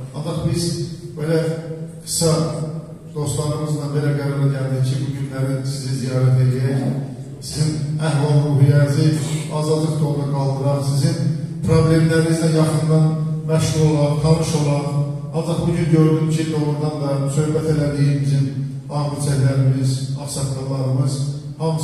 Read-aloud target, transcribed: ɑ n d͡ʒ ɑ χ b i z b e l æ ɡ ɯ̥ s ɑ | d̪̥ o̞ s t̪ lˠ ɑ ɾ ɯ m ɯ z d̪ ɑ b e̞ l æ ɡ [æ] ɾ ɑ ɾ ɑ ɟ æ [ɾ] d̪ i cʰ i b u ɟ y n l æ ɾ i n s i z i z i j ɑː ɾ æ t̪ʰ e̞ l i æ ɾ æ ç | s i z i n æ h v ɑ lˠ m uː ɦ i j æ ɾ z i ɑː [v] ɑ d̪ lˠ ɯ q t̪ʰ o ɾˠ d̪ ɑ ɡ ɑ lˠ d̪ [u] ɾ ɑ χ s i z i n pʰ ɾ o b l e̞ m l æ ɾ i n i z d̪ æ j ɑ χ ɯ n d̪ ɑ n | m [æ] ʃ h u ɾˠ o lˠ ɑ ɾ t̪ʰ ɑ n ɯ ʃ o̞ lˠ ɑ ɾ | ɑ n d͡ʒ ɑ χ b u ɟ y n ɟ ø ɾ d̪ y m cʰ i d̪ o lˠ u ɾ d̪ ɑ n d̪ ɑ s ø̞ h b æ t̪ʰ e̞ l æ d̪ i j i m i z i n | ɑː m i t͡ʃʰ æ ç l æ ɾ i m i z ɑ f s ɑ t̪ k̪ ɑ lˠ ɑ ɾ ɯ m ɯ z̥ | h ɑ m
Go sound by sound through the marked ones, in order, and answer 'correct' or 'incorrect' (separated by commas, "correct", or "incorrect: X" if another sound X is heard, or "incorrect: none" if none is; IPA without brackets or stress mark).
correct, incorrect: l, incorrect: z, incorrect: ɯ, correct